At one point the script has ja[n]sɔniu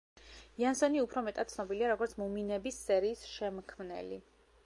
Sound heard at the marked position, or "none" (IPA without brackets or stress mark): n